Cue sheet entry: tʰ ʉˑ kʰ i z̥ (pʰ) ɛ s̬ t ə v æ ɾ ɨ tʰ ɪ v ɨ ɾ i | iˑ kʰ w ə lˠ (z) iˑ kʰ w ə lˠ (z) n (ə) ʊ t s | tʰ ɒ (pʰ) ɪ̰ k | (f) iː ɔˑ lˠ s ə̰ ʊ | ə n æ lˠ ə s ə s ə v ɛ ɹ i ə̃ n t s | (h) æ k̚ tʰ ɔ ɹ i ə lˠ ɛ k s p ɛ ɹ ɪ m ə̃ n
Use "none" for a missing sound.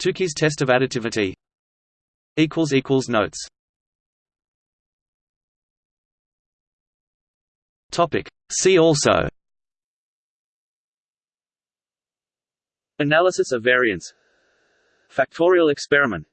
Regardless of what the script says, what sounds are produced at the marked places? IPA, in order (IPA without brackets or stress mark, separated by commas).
tʰ, z, z, ə, p, s, f